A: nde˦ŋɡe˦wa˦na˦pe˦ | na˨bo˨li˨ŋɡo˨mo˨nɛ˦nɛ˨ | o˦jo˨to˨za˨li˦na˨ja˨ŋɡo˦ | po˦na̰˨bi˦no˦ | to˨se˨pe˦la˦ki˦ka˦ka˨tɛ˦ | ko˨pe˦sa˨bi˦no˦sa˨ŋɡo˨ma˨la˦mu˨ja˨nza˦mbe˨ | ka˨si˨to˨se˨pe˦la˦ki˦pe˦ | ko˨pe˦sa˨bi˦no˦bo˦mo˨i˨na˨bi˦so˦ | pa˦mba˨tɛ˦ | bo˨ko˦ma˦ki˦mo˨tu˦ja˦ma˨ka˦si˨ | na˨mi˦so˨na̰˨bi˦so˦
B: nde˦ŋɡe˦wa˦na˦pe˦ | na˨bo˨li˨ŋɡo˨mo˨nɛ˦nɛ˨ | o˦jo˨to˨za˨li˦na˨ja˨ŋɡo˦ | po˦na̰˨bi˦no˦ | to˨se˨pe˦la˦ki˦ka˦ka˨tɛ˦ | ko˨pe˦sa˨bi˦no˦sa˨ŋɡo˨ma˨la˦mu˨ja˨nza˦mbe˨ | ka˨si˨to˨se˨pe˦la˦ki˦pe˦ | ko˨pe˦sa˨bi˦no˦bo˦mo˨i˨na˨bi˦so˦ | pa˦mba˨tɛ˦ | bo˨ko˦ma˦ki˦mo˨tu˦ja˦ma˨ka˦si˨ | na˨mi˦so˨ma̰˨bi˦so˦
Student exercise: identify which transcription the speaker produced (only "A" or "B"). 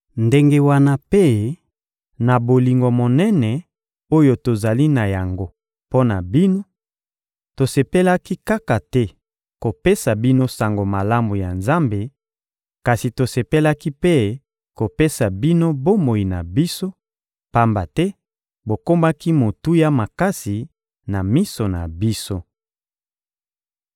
A